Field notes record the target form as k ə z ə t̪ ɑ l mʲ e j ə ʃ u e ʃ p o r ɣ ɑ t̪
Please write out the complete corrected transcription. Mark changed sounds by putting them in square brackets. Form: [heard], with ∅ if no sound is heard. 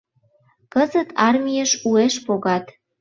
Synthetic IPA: k ə z ə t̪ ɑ [r] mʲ [i] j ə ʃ u e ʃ p o [∅] ɣ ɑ t̪